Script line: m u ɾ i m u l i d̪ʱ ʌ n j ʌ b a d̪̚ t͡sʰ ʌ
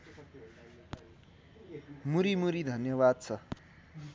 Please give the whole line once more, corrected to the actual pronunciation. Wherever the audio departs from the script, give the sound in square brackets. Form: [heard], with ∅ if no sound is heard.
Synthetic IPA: m u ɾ i m u [ɾ] i d̪ʱ ʌ n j ʌ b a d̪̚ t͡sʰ ʌ